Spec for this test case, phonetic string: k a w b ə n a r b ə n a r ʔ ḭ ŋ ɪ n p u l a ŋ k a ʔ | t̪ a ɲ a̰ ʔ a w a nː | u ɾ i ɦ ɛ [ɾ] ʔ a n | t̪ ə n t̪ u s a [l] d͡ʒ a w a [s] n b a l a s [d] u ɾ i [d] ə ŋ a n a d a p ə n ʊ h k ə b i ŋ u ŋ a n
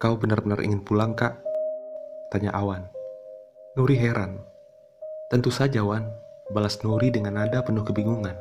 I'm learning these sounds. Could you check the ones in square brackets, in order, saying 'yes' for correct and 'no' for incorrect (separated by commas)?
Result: yes, no, no, no, yes